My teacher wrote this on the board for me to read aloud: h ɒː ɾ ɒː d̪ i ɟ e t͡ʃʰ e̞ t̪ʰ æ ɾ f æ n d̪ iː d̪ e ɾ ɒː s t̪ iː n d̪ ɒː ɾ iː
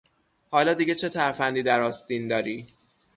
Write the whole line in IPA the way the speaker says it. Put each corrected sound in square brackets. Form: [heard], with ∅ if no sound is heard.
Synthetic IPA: h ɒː [l] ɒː d̪ i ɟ e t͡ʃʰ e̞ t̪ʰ æ ɾ f æ n d̪ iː d̪ [æ] ɾ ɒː s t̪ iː n d̪ ɒː ɾ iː